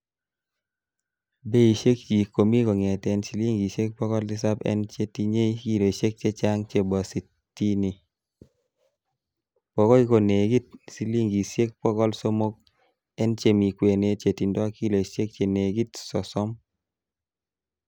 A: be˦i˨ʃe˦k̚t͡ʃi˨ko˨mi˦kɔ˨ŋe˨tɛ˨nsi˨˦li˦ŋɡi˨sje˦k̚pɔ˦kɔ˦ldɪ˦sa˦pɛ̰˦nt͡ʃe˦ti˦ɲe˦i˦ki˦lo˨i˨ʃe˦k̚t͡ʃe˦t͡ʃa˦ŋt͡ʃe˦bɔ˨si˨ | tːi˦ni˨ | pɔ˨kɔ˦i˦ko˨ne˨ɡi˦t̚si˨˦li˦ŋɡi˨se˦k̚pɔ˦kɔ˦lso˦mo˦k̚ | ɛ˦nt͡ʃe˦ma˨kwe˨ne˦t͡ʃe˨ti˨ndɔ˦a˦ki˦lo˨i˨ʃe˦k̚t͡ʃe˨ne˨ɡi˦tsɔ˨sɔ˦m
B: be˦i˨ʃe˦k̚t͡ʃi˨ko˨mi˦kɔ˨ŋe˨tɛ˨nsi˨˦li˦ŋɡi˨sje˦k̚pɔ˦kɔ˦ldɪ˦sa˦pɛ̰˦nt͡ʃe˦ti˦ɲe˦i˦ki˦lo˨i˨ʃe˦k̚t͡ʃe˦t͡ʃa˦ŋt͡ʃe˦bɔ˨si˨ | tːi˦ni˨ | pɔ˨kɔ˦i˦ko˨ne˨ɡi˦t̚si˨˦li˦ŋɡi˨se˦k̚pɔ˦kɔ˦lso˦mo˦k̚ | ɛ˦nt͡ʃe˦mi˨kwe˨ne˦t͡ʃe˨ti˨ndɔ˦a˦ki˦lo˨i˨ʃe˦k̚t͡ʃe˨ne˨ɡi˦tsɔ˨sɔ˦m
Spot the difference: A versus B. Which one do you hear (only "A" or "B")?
B